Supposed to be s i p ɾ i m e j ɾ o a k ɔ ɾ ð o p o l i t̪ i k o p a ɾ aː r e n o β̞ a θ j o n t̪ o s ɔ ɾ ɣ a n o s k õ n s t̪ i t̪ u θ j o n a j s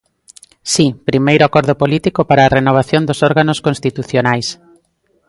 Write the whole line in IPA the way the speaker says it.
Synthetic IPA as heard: s i p ɾ i m e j ɾ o a k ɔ ɾ ð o p o l i t̪ i k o p a ɾ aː r e n o β̞ a θ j o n d̪ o s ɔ ɾ ɣ a n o s k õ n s t̪ i t̪ u θ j o n a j s